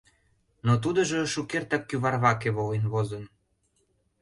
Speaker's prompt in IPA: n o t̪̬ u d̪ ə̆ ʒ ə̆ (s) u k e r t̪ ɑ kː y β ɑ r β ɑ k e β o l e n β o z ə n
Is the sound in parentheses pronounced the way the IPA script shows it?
no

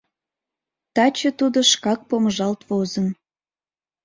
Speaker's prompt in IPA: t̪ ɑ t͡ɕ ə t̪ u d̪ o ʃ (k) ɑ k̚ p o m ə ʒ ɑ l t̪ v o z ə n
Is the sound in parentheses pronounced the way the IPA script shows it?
yes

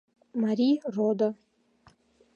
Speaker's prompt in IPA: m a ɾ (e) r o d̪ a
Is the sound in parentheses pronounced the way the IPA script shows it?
no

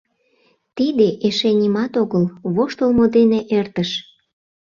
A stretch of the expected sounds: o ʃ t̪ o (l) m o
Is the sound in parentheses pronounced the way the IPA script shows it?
yes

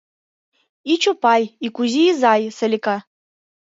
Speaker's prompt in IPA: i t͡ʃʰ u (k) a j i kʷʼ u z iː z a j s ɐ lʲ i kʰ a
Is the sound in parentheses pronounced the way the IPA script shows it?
no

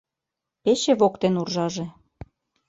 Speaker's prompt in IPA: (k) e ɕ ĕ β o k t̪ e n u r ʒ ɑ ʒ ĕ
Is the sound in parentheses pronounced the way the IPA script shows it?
no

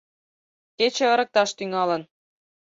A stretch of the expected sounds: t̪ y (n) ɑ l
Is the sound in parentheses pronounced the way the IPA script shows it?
no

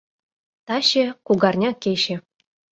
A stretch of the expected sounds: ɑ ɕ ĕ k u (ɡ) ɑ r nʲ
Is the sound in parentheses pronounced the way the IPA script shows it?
yes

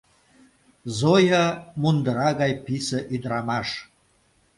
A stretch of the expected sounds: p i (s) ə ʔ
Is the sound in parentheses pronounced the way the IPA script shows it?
yes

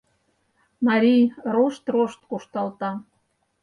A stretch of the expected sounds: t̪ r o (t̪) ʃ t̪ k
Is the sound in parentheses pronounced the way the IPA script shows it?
no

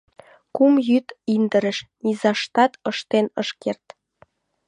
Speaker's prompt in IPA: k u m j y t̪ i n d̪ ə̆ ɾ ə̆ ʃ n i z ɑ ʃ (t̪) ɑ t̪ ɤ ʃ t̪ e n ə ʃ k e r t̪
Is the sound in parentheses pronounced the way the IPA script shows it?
yes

